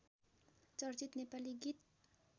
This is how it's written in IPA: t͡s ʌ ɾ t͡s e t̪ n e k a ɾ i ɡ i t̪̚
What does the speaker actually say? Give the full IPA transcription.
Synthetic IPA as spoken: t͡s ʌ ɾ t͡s i t̪ n e p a l i ɡ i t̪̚